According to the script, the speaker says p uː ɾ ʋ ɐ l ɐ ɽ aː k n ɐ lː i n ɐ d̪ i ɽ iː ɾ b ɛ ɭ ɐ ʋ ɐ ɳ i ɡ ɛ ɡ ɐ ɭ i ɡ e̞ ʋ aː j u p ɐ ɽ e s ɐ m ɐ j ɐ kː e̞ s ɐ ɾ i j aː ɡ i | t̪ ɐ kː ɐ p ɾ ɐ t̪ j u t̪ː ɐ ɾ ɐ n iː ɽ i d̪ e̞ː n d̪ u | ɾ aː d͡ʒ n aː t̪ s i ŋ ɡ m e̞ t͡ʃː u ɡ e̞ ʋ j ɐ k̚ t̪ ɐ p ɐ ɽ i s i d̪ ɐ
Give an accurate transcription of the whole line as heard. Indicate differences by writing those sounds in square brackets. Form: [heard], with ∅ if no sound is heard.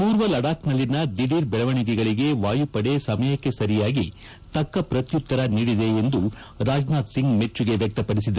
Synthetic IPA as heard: p uː ɾ ʋ ɐ l ɐ ɽ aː k n ɐ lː i n ɐ d̪ i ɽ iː ɾ b ɛ ɭ ɐ ʋ ɐ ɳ i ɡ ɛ ɡ ɐ ɭ i ɡ e̞ ʋ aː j u p ɐ ɽ e s ɐ m ɐ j ɐ kː e̞ s ɐ ɾ i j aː ɡ i | t̪ ɐ kː ɐ p ɾ ɐ t̪ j u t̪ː ɐ ɾ ɐ n iː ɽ i d̪ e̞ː n d̪ u | ɾ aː d͡ʒ n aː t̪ s i ŋ ɡ m e̞ t͡ʃː u ɡ e̞ ʋ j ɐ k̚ t̪ ɐ p ɐ ɽ i s i d̪ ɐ